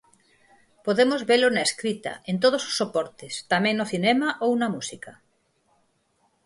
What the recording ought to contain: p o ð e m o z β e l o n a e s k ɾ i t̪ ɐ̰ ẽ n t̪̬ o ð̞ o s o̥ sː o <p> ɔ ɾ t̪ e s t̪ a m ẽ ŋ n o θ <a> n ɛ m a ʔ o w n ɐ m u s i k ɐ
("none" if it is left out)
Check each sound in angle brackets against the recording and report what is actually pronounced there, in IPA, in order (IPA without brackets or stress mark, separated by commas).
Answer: p, i